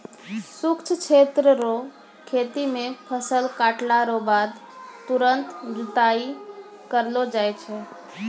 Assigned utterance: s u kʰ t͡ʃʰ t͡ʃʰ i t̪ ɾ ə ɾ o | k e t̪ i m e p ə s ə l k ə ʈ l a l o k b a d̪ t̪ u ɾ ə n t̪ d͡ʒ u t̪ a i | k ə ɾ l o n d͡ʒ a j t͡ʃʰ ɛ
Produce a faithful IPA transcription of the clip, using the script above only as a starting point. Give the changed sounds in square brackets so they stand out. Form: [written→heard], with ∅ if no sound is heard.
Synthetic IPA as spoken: s u [kʰ→k] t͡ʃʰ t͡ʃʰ [i→e] t̪ ɾ ə ɾ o | [k→kʰ] e t̪ i m e [p→pʰ] ə s ə l k [ə→a] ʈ l a [l→ɾ] o [k→∅] b a d̪ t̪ u ɾ ə n t̪ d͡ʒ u t̪ a i | k ə ɾ l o [n→∅] d͡ʒ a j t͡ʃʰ ɛ